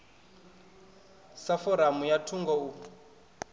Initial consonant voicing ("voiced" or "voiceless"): voiceless